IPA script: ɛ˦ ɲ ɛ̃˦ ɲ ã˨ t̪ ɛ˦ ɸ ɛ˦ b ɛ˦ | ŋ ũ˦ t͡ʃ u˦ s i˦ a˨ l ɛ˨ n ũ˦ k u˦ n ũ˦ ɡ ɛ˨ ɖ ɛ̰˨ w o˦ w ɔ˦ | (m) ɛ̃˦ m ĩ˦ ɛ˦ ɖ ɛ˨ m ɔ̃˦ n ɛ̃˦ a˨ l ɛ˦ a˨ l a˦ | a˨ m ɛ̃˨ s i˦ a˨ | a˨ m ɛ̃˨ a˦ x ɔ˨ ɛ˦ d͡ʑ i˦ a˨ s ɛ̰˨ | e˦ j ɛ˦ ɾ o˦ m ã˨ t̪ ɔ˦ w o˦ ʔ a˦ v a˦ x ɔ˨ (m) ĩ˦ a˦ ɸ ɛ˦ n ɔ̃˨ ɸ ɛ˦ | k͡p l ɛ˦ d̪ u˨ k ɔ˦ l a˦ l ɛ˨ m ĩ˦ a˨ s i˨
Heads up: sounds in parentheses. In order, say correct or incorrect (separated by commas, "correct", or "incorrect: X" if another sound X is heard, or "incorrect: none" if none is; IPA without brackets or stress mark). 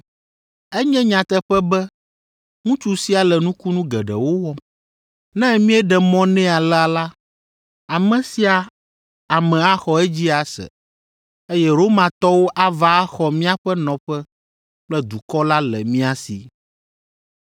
incorrect: n, correct